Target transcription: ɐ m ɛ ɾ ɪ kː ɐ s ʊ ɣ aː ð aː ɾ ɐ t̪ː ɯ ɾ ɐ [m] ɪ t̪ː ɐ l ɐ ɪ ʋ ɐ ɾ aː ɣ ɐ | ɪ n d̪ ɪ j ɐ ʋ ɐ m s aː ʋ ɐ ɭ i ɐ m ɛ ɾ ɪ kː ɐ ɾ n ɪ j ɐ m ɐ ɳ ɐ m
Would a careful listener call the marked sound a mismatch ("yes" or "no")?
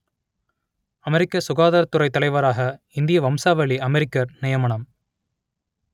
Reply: yes